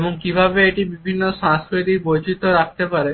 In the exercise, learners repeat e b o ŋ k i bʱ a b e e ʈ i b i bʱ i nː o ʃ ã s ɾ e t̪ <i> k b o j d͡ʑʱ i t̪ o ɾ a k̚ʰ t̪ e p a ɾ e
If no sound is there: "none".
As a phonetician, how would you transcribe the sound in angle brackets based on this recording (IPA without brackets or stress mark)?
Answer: i